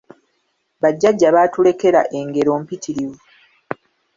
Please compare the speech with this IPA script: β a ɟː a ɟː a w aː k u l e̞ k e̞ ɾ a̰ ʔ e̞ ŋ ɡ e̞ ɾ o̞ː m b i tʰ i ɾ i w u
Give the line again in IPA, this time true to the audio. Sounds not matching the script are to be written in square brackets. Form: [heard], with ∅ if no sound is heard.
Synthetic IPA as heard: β a ɟː a ɟː a [β] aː [t] u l e̞ k e̞ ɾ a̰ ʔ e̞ ŋ ɡ e̞ ɾ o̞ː m [p] i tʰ i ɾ i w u